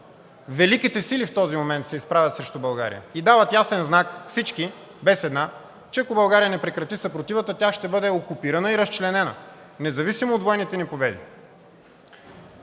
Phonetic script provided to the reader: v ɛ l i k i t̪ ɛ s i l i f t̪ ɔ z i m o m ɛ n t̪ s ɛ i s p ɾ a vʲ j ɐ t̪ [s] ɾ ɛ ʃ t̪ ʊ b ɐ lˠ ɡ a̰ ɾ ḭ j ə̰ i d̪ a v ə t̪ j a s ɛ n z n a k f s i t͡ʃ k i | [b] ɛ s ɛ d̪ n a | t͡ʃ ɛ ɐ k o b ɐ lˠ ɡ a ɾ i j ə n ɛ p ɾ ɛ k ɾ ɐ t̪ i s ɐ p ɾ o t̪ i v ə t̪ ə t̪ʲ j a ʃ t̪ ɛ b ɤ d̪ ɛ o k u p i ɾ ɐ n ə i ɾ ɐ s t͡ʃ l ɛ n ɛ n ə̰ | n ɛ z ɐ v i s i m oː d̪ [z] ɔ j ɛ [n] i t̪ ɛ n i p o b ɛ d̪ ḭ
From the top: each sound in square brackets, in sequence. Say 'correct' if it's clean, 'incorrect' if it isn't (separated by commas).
correct, correct, incorrect, correct